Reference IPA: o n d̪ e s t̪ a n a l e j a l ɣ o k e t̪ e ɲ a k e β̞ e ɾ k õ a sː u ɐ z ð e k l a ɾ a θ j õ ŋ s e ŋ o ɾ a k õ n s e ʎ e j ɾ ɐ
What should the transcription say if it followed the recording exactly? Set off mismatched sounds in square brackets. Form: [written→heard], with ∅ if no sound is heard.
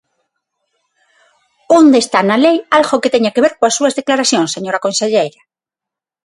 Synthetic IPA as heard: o n d̪ e s t̪ a n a l e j a l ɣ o k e t̪ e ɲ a k e β̞ e ɾ k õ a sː u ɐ z ð e k l a ɾ a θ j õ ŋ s e [ŋ→ɲ] o ɾ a k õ n s e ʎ e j ɾ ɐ